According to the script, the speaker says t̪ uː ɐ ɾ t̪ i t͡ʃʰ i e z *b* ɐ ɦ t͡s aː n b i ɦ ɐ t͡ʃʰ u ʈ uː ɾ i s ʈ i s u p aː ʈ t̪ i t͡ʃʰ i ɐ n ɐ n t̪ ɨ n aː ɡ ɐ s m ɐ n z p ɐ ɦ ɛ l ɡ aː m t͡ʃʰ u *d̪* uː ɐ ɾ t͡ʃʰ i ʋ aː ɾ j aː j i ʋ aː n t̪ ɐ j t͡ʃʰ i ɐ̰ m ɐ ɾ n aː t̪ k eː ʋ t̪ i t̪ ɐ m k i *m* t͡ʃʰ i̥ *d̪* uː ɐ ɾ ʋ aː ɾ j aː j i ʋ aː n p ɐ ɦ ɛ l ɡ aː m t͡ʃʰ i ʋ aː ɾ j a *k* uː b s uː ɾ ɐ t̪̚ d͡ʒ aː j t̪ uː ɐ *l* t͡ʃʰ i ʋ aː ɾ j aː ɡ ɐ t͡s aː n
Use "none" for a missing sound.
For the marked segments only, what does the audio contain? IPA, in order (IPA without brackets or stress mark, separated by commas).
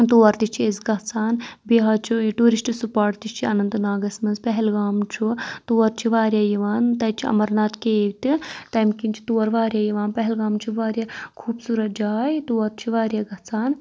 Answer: ɡ, t̪, n, t̪, kʰ, ɾ